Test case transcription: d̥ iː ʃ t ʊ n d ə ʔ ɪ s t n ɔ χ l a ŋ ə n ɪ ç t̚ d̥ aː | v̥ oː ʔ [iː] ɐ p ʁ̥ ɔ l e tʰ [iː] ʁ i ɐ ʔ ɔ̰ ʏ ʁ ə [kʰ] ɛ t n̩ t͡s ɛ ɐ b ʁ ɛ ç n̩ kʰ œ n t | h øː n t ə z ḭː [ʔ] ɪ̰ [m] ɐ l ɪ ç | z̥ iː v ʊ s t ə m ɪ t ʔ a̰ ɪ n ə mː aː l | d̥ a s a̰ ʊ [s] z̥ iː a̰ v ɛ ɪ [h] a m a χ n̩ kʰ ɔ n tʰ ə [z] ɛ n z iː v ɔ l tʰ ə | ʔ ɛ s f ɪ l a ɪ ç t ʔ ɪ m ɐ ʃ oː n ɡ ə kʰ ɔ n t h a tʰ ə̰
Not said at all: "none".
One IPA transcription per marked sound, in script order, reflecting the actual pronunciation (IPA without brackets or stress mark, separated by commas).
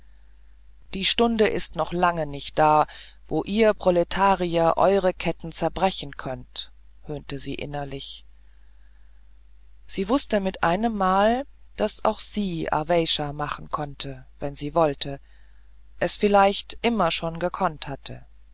iː, aː, kʰ, ʔ, n, x, ʃ, v